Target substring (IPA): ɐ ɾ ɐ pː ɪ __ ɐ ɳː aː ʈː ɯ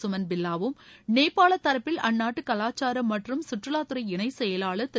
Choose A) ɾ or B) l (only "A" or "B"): B